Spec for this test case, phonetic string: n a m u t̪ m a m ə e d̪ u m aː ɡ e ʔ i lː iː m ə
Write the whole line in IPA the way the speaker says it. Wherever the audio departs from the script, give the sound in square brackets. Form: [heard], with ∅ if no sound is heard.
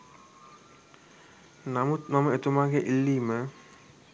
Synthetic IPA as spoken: n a m u t̪ m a m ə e [t̪] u m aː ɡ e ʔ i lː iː m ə